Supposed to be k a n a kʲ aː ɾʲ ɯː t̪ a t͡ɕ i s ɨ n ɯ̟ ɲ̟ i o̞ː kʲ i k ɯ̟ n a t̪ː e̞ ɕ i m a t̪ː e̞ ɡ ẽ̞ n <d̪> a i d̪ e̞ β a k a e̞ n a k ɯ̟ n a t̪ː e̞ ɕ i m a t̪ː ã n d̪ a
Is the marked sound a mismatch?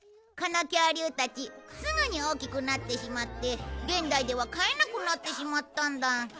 no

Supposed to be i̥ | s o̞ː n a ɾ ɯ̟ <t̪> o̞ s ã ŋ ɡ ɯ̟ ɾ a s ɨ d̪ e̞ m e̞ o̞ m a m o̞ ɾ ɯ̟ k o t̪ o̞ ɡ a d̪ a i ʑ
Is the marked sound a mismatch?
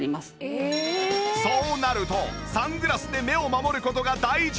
no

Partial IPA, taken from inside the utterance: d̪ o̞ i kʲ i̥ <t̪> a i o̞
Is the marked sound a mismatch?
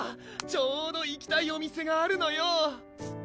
no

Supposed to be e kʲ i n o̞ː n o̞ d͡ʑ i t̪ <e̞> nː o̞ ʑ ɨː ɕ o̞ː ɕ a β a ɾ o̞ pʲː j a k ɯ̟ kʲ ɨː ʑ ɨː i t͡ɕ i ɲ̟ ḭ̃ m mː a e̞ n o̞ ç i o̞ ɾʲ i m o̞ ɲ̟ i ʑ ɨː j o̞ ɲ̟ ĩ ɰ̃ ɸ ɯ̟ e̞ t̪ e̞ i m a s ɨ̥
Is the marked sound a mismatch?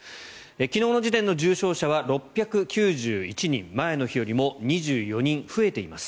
yes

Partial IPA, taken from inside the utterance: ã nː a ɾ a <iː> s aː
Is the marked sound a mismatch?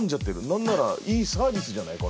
no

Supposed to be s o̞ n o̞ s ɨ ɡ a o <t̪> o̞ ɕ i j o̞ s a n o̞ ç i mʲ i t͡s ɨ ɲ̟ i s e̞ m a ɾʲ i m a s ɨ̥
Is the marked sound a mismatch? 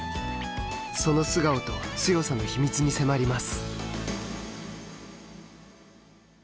no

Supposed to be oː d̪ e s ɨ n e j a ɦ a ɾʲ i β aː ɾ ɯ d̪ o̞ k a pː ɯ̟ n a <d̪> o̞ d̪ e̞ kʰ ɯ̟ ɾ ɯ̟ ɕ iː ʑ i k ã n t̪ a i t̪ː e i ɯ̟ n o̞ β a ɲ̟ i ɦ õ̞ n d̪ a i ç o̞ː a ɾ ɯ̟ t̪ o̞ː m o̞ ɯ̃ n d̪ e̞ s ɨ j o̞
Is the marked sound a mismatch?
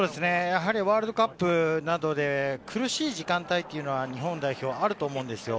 no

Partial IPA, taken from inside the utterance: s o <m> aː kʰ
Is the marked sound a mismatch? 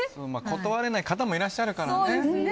no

